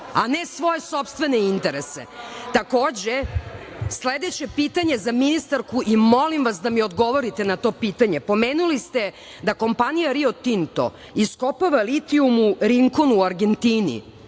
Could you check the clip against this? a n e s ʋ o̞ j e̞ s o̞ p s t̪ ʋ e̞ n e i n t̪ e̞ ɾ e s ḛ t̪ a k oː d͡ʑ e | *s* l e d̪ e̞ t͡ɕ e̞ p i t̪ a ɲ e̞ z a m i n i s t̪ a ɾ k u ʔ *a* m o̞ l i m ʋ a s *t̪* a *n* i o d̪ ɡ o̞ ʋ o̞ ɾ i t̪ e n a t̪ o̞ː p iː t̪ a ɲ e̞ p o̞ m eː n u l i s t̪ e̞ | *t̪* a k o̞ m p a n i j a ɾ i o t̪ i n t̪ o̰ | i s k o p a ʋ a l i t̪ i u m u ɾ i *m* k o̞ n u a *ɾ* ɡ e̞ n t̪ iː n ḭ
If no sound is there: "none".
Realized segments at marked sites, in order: s, i, d̪, m, d̪, ŋ, ɾ

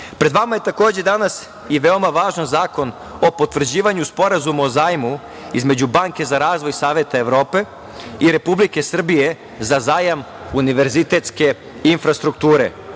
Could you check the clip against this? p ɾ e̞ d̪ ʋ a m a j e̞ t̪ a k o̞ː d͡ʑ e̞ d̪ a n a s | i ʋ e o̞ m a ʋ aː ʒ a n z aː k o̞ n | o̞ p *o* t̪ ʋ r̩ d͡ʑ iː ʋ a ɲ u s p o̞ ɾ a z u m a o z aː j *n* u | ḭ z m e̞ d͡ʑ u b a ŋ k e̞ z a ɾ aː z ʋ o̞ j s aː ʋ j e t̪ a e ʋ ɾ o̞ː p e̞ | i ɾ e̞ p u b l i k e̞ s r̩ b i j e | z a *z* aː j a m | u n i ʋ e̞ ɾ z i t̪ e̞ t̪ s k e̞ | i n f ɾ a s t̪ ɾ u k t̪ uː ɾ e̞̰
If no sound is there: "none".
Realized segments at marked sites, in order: o, m, z

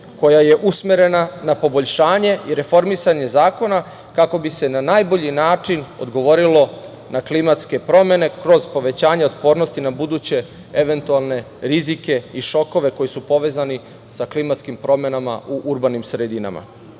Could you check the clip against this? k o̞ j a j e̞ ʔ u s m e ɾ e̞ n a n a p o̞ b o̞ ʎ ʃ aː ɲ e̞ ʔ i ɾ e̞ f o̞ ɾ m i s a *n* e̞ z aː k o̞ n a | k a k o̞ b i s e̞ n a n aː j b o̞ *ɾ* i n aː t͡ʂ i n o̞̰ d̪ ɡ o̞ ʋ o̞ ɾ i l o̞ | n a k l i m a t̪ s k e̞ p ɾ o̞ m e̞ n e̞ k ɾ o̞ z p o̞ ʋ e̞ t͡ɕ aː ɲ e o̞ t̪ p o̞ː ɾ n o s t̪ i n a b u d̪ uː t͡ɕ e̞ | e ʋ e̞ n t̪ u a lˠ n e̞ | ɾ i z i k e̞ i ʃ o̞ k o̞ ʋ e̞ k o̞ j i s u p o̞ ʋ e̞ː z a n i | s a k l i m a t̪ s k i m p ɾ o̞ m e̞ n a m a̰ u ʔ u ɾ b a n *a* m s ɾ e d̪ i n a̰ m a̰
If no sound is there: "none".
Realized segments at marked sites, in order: ɲ, ʎ, i

